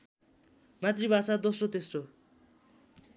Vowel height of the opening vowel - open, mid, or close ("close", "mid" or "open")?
open